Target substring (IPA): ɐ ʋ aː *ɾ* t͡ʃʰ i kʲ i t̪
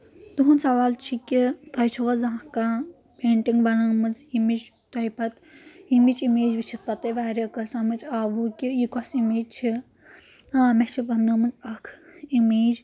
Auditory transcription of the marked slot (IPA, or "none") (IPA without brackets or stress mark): l